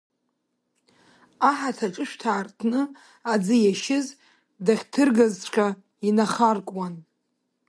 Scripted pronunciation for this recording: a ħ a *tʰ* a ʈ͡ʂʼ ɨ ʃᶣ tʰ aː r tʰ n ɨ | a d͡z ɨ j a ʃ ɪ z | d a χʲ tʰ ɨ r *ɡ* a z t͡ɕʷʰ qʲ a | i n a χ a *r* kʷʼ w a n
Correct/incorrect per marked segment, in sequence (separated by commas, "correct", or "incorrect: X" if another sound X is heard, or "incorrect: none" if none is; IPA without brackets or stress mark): correct, correct, correct